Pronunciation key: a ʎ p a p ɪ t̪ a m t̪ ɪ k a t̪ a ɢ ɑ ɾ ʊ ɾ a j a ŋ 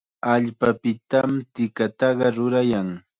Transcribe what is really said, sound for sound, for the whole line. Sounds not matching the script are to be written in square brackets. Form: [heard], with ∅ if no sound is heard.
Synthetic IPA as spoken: a ʎ p a p ɪ t̪ a m t̪ ɪ k a t̪ [ɑ] ɢ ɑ ɾ ʊ ɾ a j a ŋ